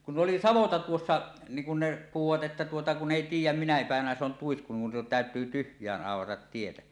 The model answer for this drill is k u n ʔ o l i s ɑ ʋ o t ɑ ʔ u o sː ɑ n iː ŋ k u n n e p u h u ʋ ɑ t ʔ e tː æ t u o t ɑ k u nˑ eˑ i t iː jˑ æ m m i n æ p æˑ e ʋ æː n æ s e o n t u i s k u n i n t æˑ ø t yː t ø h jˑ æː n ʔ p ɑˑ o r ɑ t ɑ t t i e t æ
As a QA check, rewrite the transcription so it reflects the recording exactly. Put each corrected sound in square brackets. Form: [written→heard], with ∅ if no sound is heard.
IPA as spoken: k u n ʔ o l i s ɑ ʋ o t ɑ [ʔ→t] u o sː ɑ n iː ŋ k u n n e p u h u ʋ ɑ t ʔ e tː æ t u o t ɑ k u nˑ eˑ i t iː jˑ æ m m i n æ p æˑ e ʋ [æː→æ] n æ s e o n t u i s k u n i n t æˑ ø t yː t [ø→y] h jˑ æː n ʔ [p→ʔ] ɑˑ o r ɑ t ɑ t t i e t æ